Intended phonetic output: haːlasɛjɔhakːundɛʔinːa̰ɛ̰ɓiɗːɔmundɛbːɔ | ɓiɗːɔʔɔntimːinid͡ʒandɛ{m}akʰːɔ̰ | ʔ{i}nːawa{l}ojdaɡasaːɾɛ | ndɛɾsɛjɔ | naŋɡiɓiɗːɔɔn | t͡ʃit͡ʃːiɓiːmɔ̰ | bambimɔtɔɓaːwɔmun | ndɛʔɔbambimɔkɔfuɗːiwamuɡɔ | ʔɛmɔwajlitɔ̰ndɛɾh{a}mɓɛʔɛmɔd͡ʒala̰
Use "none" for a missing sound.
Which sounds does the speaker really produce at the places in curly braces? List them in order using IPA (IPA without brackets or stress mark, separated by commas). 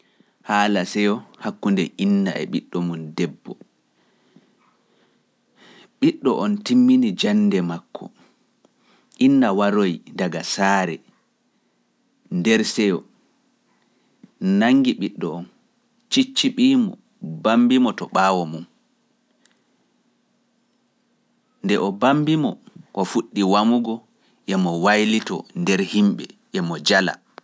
m, i, ɾ, i